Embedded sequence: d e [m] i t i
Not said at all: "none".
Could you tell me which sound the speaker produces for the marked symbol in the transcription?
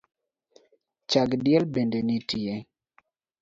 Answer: n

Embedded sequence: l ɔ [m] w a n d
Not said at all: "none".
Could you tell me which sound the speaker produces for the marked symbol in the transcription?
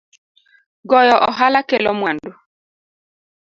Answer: m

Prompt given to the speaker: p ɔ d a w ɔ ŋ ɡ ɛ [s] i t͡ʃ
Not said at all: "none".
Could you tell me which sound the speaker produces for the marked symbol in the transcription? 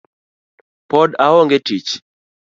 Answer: t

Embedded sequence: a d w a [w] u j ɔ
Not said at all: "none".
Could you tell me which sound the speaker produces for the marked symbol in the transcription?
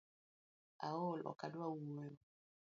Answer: w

